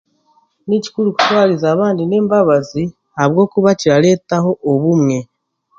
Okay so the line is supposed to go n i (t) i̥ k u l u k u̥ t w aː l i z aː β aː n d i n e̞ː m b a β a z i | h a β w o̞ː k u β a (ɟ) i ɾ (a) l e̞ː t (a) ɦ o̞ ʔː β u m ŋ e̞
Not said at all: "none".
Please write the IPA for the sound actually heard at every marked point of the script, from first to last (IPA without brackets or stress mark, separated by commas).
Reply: c, c, a, a